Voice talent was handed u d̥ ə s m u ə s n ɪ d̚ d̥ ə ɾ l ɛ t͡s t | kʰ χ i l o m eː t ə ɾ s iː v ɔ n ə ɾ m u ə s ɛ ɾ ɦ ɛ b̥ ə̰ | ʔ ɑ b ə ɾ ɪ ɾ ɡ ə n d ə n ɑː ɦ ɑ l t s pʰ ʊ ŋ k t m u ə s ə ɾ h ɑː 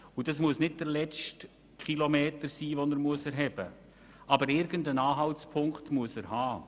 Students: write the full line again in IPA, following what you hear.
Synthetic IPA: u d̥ ɑ s m u ə s n ɪ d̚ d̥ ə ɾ l ɛ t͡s t | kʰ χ i l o m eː t ə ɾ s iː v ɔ n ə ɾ m u ə s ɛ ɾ ɦ ɛ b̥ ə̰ | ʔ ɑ b ə ɾ ɪ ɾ ɡ ə n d ə n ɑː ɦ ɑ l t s pʰ ʊ ŋ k t m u ə s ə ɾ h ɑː